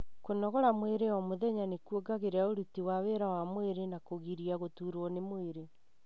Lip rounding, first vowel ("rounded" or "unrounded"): rounded